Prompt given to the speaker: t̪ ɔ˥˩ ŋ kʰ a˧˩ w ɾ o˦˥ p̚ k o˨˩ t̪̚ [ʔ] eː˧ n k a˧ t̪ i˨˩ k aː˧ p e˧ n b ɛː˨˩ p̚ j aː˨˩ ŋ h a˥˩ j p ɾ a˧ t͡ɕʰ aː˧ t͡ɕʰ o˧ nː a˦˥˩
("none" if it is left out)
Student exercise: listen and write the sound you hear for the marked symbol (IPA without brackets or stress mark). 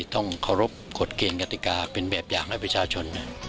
k